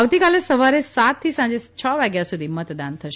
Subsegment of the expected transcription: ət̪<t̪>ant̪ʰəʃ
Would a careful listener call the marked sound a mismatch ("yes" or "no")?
yes